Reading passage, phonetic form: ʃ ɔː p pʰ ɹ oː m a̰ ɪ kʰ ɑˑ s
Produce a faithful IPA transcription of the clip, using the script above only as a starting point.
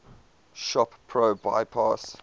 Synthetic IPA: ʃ ɔ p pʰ ɹ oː b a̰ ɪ pʰ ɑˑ s